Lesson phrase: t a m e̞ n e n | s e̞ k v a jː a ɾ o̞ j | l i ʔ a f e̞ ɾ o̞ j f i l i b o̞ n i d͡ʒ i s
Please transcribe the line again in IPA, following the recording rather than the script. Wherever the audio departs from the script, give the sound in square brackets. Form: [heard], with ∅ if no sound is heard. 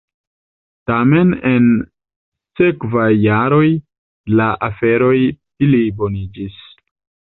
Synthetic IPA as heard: t a m e̞ n e n | s e̞ k v a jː a ɾ o̞ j | l [a] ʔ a f e̞ ɾ o̞ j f i l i b o̞ n i d͡ʒ i s